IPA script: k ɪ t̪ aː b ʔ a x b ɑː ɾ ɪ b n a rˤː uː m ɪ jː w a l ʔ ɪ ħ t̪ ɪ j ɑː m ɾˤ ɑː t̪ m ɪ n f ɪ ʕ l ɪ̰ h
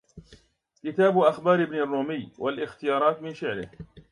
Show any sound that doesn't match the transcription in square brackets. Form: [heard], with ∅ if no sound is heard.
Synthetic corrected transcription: k ɪ t̪ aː b ʔ a x b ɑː ɾ ɪ b n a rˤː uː m ɪ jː w a l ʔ ɪ [x] t̪ ɪ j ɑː [∅] ɾˤ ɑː t̪ m ɪ n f ɪ ʕ l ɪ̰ h